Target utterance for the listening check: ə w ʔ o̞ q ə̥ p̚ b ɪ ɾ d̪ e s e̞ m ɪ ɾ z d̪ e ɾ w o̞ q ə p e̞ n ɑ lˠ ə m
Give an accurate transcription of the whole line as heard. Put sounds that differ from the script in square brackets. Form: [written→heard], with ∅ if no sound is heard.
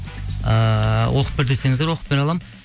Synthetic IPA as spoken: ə w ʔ o̞ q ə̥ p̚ b ɪ ɾ d̪ e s e̞ [m→ŋ] ɪ [ɾ→∅] z d̪ e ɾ w o̞ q ə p e̞ n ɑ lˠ [ə→ɑ] m